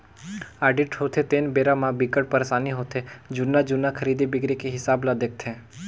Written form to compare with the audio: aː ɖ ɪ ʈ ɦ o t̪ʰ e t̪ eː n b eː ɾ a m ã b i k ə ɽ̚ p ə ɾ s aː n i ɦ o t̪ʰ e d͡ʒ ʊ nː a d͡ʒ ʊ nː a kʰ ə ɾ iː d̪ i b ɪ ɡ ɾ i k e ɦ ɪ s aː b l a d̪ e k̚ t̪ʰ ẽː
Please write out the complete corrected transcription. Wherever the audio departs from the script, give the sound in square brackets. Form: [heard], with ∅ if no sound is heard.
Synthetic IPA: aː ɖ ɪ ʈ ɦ o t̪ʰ e t̪ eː n b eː ɾ a m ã b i k ə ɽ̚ p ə ɾ s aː n i ɦ o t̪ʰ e d͡ʒ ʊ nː a d͡ʒ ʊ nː a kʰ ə ɾ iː d̪ i b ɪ ɡ ɾ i k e ɦ ɪ s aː b l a d̪ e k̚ t̪ʰ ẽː